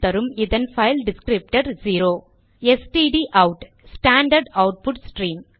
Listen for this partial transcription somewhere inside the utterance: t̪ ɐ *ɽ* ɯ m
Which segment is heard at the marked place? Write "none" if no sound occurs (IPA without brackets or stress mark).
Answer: ɾ